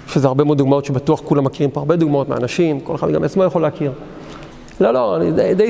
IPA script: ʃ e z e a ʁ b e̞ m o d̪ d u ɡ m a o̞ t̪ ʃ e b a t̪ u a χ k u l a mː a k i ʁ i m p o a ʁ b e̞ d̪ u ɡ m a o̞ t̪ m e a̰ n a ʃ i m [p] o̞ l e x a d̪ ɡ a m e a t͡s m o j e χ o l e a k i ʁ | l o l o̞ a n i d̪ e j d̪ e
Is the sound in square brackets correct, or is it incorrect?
incorrect